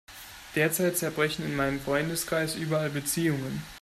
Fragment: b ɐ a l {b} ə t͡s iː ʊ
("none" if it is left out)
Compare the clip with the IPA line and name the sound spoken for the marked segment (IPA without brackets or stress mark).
b